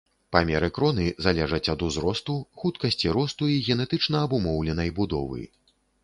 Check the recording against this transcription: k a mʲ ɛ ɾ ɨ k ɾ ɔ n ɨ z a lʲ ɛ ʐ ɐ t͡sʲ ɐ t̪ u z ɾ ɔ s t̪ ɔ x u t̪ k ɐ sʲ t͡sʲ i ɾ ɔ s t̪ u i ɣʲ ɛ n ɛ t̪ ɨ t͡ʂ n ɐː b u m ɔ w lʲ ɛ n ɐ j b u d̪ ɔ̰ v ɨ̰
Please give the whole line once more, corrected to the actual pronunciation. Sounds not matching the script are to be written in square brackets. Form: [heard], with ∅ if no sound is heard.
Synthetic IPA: [p] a mʲ ɛ ɾ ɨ k ɾ ɔ n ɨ z a lʲ ɛ ʐ ɐ t͡sʲ ɐ [d̪] u z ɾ ɔ s t̪ [u] x u t̪ k ɐ sʲ t͡sʲ i ɾ ɔ s t̪ u i ɣʲ ɛ n ɛ t̪ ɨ t͡ʂ n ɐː b u m ɔ w lʲ ɛ n ɐ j b u d̪ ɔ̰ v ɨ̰